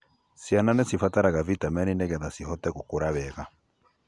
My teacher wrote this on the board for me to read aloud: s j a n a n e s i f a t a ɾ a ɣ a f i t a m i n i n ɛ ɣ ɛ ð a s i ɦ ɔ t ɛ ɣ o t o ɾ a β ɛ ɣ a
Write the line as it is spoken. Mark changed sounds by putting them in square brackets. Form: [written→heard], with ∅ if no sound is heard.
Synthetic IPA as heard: s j a n a n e s i f a t a ɾ a ɣ a [f→v] i t a m [i→ɛ] n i n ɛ ɣ ɛ ð a s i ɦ ɔ t ɛ ɣ o [t→k] o ɾ a β ɛ ɣ a